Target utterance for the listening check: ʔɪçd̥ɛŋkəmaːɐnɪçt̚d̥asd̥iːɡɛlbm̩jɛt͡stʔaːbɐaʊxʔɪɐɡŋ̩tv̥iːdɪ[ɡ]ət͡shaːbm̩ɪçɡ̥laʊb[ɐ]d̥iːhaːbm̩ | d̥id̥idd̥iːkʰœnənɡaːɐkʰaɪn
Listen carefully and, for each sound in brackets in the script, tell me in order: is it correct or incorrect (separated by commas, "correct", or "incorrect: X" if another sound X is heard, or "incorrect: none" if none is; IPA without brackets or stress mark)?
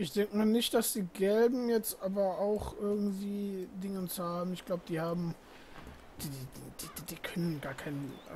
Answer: incorrect: ŋ, incorrect: ə